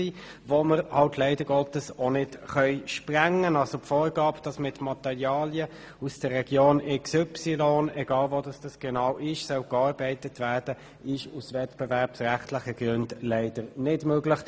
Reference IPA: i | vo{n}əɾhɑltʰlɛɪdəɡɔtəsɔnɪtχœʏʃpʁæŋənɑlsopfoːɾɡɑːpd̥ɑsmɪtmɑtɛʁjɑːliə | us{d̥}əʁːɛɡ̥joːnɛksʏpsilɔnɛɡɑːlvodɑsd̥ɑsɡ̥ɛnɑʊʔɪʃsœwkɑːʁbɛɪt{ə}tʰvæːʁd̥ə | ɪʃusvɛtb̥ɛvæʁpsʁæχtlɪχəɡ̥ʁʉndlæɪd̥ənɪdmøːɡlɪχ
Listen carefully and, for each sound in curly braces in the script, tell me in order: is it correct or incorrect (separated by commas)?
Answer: incorrect, correct, correct